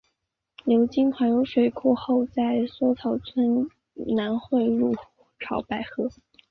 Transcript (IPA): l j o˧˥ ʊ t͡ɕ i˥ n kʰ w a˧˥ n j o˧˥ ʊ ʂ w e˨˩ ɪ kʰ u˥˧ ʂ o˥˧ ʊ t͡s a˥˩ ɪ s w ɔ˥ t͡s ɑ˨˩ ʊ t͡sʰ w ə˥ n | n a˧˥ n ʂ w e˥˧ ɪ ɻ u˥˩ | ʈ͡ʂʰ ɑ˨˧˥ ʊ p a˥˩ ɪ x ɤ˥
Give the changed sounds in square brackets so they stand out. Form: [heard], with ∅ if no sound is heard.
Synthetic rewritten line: l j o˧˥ ʊ t͡ɕ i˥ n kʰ w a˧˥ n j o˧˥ ʊ ʂ w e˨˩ ɪ kʰ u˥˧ [x] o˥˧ ʊ t͡s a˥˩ ɪ s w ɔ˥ [t͡sʰ] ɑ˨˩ ʊ t͡sʰ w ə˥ n | n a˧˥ n [x] w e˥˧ ɪ ɻ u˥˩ | ʈ͡ʂʰ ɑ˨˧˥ ʊ p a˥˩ ɪ x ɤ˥